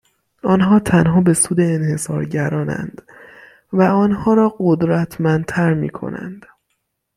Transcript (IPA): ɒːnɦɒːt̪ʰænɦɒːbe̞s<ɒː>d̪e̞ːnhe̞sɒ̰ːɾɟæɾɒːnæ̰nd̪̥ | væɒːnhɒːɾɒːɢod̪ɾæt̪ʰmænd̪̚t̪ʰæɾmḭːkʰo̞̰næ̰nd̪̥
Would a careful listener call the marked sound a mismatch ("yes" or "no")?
yes